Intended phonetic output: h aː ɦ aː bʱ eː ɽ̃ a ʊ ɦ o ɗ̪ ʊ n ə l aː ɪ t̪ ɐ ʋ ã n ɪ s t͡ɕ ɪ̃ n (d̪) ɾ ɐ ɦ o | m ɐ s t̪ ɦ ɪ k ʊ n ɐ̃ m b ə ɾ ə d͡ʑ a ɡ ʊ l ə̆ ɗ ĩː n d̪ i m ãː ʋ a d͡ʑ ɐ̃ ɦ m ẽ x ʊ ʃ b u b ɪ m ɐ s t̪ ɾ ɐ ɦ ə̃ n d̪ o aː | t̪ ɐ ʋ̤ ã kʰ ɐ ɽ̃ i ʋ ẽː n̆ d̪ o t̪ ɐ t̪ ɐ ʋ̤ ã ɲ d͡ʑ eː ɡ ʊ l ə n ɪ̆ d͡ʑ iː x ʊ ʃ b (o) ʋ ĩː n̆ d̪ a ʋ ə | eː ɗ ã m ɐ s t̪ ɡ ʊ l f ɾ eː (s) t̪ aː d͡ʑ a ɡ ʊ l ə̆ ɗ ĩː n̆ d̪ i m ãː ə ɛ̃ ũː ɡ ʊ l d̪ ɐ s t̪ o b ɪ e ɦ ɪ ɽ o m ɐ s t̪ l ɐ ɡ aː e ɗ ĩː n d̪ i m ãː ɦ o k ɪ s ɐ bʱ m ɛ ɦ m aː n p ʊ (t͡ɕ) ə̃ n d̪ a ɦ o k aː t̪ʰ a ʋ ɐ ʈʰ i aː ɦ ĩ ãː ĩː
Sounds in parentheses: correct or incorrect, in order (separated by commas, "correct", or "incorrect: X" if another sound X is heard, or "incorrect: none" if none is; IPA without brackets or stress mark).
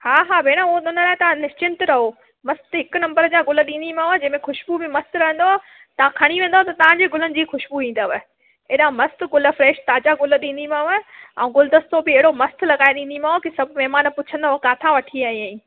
incorrect: t̪, incorrect: u, incorrect: ʃ, incorrect: t͡ɕʰ